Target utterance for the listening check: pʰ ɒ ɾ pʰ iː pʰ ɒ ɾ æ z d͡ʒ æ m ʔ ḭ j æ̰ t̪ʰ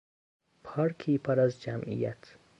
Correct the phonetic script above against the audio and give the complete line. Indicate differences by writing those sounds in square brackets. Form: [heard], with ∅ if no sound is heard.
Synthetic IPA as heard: pʰ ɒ ɾ [kʰ] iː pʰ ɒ ɾ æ z d͡ʒ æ m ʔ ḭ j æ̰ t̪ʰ